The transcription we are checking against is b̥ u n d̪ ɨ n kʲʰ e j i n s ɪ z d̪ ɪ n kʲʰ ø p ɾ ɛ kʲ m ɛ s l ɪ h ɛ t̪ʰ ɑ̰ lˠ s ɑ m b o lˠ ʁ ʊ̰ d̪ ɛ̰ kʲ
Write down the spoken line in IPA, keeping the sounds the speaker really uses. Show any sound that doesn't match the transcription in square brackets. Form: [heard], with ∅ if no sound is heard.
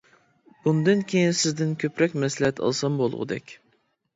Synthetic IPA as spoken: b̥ u n d̪ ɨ n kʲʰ e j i n s ɪ z d̪ ɪ n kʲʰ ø p ɾ ɛ kʲ m ɛ s l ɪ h ɛ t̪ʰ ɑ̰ lˠ s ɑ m b o lˠ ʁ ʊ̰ d̪ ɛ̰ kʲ

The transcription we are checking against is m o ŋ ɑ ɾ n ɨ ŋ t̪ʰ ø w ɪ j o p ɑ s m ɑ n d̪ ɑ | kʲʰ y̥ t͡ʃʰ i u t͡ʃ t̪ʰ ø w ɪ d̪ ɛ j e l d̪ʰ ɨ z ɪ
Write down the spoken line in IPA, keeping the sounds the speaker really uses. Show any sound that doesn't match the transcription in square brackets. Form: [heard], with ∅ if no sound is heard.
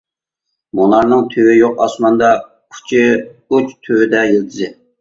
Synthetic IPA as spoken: m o [n] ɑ ɾ n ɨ ŋ t̪ʰ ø w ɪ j o [q] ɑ s m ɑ n d̪ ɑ | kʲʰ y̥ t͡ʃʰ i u t͡ʃ t̪ʰ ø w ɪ d̪ ɛ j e l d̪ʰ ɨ z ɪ

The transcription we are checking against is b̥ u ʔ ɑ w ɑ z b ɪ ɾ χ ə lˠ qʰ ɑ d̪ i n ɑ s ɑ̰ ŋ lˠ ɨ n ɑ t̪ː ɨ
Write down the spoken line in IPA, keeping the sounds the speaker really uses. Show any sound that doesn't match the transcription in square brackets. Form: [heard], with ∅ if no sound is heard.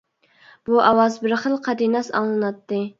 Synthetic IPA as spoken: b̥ u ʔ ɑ w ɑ z b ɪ ɾ χ ə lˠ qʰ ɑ d̪ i n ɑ s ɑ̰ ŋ lˠ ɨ n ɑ t̪ː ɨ

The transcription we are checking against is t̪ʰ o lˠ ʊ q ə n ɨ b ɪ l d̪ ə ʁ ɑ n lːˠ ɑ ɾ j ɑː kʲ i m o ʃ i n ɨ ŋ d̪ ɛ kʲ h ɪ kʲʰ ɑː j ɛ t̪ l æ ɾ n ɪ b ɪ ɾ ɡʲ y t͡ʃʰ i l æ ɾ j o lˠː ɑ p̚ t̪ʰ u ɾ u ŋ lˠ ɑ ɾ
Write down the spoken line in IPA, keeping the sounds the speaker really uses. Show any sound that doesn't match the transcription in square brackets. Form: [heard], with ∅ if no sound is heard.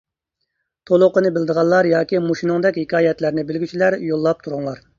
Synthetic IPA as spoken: t̪ʰ o lˠ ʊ q ə n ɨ b ɪ l d̪ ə ʁ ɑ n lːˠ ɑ ɾ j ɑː kʲ i m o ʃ i n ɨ ŋ d̪ ɛ kʲ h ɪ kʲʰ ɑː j ɛ t̪ l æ ɾ n ɪ b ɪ [l] ɡʲ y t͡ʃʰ i l æ ɾ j o lˠː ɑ p̚ t̪ʰ u ɾ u ŋ lˠ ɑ ɾ

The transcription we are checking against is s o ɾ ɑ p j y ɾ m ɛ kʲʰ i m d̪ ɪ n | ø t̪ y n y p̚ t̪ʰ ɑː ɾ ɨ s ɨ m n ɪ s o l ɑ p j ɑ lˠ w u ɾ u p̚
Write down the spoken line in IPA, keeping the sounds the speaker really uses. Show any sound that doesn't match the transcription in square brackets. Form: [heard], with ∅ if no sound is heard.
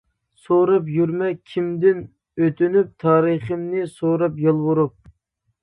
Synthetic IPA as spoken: s o ɾ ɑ p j y ɾ m ɛ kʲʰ i m d̪ ɪ n | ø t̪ y n y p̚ t̪ʰ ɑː ɾ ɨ [χ] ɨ m n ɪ s o [ɾ] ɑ p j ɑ lˠ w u ɾ u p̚

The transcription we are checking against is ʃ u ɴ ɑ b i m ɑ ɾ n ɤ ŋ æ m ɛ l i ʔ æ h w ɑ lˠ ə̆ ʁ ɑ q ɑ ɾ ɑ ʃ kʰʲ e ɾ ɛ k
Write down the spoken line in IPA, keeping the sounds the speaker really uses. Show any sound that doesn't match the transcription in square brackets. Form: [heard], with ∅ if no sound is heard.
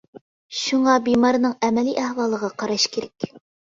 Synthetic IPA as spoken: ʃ u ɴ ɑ b i m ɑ ɾ n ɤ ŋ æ m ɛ l i ʔ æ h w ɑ lˠ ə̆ ʁ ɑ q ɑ ɾ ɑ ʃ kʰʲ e ɾ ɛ k

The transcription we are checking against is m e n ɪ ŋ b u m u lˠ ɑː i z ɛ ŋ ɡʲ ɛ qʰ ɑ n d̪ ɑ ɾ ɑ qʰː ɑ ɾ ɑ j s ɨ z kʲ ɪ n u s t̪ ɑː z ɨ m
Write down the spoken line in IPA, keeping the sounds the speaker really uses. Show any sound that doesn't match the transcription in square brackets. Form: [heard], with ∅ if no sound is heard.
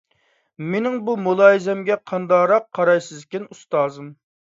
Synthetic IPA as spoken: m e n ɪ ŋ b u m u lˠ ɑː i z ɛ [m] ɡʲ ɛ qʰ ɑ n d̪ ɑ ɾ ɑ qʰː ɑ ɾ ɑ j s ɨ z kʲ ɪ n u s t̪ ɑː z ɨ m

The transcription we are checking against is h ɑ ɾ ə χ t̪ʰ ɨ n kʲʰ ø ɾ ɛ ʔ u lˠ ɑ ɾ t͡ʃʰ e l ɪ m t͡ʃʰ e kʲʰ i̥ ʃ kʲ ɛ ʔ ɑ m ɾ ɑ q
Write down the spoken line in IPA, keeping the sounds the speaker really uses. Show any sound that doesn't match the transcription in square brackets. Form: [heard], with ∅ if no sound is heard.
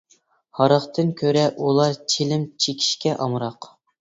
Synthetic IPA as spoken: h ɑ ɾ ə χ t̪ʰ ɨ n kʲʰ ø ɾ ɛ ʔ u lˠ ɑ ɾ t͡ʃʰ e l ɪ m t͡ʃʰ e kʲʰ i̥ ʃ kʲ ɛ ʔ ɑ m ɾ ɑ q

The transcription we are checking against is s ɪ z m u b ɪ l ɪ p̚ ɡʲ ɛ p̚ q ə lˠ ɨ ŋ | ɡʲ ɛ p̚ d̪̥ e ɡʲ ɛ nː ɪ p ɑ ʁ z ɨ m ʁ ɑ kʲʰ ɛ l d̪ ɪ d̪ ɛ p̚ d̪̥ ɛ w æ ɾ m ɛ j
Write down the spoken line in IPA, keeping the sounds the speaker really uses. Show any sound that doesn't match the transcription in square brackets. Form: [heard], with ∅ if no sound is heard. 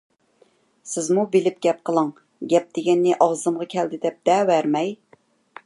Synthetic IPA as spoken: s ɪ z m u b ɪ l ɪ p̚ ɡʲ ɛ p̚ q ə lˠ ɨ ŋ | ɡʲ ɛ p̚ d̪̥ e ɡʲ ɛ nː ɪ [ʔ] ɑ ʁ z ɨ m ʁ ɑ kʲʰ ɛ l d̪ ɪ d̪ ɛ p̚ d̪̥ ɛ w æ ɾ m ɛ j

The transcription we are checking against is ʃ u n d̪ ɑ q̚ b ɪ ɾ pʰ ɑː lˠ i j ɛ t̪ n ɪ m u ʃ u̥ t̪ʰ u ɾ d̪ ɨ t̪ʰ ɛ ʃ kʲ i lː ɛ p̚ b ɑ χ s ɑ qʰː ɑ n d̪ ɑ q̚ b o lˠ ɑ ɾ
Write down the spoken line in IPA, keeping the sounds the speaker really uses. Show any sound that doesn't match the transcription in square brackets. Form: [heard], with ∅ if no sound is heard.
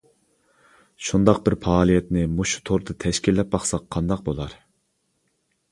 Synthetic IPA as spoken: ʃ u n d̪ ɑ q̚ b ɪ ɾ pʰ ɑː lˠ i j ɛ t̪ n ɪ m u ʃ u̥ t̪ʰ [o] ɾ d̪ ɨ t̪ʰ ɛ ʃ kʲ i lː ɛ p̚ b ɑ χ s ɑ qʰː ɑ n d̪ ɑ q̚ b o lˠ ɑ ɾ

